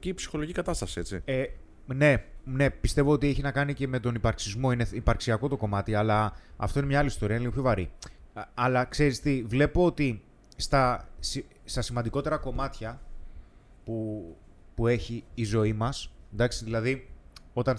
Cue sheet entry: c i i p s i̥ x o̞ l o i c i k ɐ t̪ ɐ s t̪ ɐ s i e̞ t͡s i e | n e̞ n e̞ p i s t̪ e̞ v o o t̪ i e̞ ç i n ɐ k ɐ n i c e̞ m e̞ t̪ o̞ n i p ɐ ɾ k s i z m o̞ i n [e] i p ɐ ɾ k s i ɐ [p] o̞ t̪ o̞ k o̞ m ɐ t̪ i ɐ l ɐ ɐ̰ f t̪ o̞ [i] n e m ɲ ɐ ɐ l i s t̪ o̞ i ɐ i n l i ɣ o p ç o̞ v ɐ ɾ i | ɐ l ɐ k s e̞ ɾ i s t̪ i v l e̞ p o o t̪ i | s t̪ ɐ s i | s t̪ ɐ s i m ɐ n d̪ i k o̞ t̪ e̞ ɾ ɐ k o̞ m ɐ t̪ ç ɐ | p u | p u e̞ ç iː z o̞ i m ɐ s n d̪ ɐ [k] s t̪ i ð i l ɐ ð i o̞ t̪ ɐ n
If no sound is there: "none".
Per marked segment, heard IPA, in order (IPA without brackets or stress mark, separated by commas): e, k, i, k